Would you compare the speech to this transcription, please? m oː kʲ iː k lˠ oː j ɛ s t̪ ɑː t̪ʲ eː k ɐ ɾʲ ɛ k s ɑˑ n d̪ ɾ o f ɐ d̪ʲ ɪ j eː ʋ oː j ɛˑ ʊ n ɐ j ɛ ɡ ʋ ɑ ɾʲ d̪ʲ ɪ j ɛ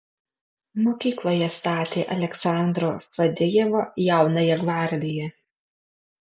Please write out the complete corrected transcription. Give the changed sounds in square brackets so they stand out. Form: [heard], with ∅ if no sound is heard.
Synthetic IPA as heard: m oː kʲ iː k lˠ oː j ɛ s t̪ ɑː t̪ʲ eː [ʔ] ɐ [lʲ] ɛ k s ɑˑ n d̪ ɾ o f ɐ d̪ʲ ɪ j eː ʋ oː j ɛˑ ʊ n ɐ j ɛ ɡ ʋ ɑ ɾʲ d̪ʲ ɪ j ɛ